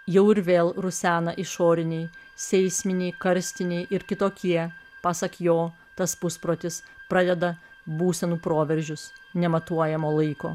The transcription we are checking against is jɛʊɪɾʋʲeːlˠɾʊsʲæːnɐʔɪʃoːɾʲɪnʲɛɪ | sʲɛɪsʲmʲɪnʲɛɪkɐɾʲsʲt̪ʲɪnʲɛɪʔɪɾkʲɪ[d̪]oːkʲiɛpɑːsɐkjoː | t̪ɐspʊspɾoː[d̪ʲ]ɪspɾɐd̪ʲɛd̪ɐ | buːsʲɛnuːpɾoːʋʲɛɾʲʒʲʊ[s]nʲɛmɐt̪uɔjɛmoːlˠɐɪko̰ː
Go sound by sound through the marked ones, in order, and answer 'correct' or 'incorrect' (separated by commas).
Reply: incorrect, incorrect, correct